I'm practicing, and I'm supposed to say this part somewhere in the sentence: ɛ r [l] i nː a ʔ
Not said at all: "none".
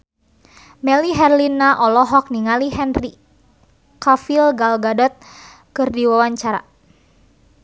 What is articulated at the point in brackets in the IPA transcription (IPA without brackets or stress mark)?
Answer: l